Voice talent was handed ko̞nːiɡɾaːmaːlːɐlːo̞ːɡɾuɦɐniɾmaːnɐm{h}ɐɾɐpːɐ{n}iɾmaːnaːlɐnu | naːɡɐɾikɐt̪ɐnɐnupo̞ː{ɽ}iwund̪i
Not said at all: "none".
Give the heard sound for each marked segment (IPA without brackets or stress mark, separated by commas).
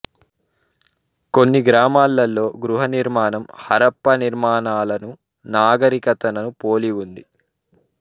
h, n, l